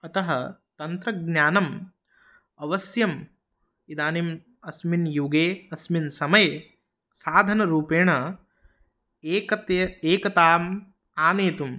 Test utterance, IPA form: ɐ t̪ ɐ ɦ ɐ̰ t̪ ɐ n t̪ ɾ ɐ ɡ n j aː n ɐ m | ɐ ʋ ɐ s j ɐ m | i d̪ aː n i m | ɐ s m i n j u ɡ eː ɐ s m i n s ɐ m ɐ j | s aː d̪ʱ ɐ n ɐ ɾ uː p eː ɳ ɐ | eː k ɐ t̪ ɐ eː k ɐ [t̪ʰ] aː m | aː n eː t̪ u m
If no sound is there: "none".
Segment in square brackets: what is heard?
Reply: t̪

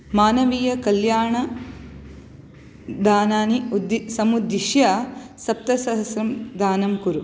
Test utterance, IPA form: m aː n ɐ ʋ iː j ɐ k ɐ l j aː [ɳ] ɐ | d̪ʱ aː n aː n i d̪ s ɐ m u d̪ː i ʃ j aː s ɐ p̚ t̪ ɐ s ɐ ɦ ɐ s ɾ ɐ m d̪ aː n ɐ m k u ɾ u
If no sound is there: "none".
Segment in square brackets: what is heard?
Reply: ɳ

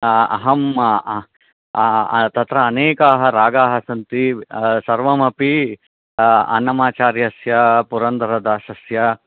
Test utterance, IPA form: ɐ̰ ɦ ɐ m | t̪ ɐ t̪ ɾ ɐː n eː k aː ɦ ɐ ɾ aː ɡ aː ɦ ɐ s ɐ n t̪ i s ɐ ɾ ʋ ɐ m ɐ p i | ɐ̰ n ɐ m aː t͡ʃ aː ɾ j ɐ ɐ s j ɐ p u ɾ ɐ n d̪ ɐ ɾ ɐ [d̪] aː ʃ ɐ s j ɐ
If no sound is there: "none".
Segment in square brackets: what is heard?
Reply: d̪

